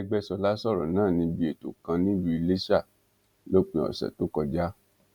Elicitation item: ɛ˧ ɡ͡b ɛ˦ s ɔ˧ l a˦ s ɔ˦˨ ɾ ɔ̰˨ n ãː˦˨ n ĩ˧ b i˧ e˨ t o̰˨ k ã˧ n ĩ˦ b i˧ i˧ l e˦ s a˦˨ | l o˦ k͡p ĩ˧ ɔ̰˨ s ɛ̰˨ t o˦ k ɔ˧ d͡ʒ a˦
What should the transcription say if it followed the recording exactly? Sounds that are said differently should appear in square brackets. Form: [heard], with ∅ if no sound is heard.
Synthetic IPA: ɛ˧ ɡ͡b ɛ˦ s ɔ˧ l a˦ s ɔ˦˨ ɾ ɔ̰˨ n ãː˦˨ n ĩ˧ b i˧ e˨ t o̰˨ k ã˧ n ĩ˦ b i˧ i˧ l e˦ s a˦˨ | l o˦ k͡p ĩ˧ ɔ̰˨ s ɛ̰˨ t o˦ k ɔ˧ d͡ʒ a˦

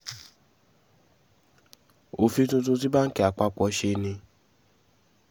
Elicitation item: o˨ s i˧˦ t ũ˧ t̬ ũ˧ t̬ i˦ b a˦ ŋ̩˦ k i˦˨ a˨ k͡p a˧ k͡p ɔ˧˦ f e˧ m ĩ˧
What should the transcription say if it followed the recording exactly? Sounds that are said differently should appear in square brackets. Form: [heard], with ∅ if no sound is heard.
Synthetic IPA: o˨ [f] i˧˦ t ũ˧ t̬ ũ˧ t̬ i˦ b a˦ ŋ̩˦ k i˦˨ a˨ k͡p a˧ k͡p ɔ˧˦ [ʃ] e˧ [n] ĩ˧

